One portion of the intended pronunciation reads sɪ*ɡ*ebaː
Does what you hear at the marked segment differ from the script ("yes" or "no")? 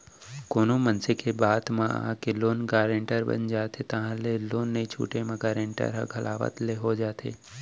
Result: yes